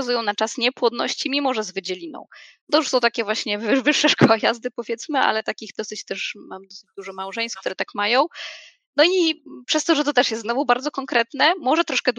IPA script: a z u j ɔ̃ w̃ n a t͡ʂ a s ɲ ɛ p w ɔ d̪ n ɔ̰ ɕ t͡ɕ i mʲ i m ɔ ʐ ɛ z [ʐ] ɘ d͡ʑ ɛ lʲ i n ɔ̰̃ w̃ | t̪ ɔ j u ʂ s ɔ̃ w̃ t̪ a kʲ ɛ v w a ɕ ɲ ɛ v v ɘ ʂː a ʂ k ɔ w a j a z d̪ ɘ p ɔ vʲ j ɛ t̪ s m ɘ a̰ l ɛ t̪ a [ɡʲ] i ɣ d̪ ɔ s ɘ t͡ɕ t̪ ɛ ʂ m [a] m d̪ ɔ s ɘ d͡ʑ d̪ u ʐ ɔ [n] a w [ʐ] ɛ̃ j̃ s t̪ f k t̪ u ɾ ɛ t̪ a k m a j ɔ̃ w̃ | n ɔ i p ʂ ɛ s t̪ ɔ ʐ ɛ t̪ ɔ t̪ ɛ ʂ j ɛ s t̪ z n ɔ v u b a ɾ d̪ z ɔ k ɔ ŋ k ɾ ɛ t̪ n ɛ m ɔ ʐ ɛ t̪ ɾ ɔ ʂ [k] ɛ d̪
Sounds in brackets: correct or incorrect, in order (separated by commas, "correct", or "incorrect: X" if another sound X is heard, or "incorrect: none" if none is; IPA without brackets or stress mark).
incorrect: v, incorrect: kʲ, correct, incorrect: m, correct, correct